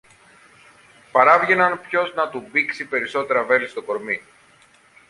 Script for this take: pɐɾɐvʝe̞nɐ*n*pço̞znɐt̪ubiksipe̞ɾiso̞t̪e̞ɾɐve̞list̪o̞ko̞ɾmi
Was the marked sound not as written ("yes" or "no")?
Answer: no